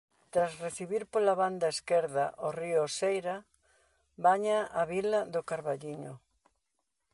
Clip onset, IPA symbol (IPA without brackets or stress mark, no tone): t̪